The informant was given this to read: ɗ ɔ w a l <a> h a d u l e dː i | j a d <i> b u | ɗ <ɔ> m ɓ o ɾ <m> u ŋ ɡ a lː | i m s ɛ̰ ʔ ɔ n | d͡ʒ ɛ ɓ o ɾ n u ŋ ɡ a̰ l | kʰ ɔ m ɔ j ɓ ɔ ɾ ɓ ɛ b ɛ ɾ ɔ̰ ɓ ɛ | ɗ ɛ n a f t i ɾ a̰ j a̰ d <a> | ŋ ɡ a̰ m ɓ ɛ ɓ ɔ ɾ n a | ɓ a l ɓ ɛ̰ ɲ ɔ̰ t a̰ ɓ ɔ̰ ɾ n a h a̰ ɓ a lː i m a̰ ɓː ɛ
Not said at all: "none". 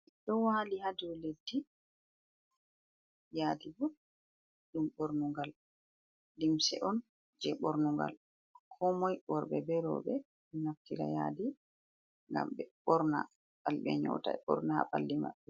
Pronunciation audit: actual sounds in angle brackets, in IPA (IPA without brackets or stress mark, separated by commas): i, i, u, n, i